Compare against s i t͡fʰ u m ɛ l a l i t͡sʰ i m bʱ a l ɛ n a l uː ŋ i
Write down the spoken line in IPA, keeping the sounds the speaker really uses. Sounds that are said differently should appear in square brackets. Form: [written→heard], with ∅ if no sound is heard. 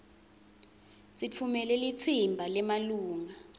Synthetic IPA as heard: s i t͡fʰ u m ɛ l [a→ɛ] l i t͡sʰ i m bʱ a l ɛ [n→m] a l uː ŋ [i→a]